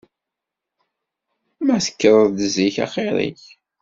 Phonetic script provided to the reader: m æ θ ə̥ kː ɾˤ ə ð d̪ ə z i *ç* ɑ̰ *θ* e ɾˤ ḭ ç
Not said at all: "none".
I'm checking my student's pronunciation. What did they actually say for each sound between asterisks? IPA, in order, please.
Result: ç, χ

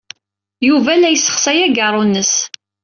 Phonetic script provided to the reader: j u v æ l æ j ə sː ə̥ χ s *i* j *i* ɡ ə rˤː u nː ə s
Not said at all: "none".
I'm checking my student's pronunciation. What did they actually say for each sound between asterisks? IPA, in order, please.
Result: æ, æ

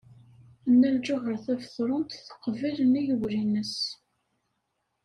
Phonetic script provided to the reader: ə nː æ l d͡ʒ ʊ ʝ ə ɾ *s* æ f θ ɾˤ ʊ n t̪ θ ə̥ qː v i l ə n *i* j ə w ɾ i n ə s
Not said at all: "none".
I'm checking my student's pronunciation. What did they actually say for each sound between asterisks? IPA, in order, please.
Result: θ, i

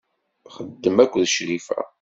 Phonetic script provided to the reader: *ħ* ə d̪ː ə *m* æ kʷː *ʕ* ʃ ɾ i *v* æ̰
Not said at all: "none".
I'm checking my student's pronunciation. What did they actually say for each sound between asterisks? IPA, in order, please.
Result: χ, m, ð, f

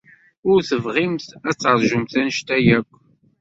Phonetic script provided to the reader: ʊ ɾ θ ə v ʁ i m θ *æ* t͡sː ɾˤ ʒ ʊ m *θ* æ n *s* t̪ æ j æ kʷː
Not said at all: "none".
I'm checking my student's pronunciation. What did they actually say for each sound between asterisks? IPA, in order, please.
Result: æ, θ, ʃ

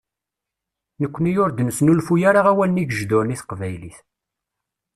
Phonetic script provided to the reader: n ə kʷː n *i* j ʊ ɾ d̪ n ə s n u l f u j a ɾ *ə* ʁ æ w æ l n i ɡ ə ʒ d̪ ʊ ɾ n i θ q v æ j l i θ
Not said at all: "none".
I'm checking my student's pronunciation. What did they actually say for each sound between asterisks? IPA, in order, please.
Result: i, a

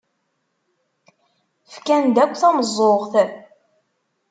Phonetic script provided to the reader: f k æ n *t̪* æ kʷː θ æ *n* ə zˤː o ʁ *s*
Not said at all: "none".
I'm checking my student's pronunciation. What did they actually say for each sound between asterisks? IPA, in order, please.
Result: d̪, m, θ

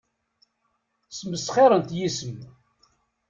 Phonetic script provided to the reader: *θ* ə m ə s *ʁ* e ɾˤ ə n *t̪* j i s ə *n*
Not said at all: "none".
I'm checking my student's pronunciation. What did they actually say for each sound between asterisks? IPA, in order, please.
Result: s, χ, t̪, m

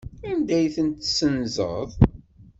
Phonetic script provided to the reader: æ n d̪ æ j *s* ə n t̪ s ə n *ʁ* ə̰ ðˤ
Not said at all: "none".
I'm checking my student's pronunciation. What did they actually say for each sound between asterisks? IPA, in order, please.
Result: θ, z

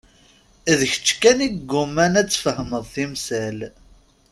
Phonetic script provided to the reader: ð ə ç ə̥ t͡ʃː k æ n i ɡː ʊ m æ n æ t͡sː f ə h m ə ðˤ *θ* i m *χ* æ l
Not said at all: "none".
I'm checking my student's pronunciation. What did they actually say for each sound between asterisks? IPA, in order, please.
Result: θ, s

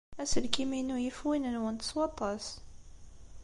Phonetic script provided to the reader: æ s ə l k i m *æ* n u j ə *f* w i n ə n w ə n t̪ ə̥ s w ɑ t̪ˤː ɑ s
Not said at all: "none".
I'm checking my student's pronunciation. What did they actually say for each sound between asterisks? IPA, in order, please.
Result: i, f

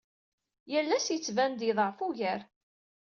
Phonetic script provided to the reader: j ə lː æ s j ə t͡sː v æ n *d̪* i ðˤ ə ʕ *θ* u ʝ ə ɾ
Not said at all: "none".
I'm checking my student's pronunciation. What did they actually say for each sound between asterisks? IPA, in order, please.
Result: d̪, f

